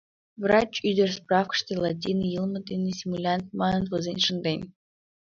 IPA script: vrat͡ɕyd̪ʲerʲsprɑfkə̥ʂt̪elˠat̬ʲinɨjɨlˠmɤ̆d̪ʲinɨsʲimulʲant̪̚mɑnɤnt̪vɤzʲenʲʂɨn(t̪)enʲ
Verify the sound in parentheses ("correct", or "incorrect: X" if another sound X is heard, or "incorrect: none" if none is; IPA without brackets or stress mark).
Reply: incorrect: d̪